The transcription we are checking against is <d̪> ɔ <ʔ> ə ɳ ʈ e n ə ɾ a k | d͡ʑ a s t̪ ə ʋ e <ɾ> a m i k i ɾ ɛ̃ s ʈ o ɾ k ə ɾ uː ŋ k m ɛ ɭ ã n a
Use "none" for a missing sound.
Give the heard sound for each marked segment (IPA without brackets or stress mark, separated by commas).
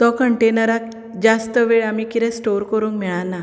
t̪, k, ɭ